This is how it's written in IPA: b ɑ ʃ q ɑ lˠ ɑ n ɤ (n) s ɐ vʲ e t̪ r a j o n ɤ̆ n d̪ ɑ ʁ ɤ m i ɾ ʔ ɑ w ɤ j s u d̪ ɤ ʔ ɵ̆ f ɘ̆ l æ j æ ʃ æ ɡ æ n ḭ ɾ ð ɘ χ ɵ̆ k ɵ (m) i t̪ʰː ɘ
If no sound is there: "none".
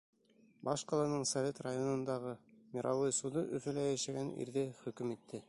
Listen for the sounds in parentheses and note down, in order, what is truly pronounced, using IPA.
ɴ, m

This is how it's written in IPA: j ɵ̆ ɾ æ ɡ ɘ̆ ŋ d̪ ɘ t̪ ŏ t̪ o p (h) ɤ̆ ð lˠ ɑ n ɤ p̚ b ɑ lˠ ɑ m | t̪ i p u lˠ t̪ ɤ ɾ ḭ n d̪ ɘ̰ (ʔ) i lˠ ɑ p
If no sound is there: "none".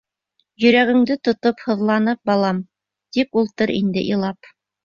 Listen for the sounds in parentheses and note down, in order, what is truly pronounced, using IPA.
h, ʔ

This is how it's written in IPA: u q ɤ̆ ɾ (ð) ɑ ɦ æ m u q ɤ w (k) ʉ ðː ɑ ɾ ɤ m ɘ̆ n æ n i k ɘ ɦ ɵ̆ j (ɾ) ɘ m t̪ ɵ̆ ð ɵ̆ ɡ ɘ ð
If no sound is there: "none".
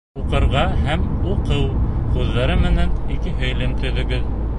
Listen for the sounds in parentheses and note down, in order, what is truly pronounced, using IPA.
ʁ, q, l

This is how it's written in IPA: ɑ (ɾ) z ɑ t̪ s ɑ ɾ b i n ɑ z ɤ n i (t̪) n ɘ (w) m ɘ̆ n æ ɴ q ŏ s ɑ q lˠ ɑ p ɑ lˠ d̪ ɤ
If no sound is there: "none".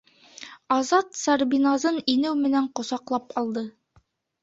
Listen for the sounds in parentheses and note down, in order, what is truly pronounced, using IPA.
none, none, w

